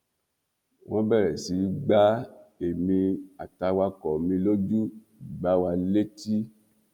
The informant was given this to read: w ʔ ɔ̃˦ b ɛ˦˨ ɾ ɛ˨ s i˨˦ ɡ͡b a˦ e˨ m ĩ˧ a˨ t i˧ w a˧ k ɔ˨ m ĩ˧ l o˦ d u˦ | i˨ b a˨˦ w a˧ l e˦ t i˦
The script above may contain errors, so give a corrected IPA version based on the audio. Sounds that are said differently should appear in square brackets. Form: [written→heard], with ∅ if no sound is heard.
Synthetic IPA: w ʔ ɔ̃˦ b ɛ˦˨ ɾ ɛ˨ s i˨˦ ɡ͡b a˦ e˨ m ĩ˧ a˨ t [i˧→a˧] w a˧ k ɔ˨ m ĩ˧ l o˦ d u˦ | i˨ [b→ɡ͡b] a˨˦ w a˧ l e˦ t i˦